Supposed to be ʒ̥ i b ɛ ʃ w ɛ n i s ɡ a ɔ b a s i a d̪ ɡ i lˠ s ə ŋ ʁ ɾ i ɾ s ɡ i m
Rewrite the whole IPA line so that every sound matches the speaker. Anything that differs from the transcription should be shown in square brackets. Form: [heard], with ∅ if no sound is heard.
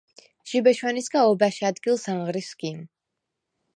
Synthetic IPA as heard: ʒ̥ i b ɛ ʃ w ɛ n i s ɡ a ɔ b a [ʃ] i a d̪ ɡ i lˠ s [a] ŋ ʁ ɾ i [∅] s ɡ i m